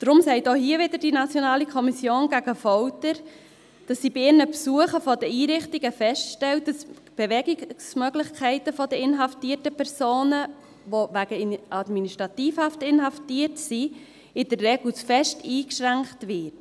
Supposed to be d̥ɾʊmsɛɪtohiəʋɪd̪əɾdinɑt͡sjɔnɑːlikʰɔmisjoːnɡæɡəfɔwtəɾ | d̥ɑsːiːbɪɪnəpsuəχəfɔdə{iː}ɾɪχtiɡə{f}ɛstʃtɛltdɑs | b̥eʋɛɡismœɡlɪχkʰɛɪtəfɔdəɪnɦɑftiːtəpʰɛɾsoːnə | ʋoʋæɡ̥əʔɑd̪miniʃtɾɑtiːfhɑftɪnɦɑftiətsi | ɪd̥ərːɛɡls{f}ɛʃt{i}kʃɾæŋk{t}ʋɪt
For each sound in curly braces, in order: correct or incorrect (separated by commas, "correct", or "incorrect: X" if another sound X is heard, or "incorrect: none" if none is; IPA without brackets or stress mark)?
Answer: correct, correct, correct, incorrect: iː, correct